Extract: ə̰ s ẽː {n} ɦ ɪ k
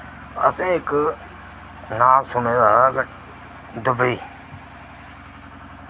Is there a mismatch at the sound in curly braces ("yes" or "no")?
yes